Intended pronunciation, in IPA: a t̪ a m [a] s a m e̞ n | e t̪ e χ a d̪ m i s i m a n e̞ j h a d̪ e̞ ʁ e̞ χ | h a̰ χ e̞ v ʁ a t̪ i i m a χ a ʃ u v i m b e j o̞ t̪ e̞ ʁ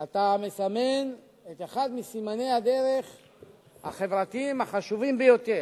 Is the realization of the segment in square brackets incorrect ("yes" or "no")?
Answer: yes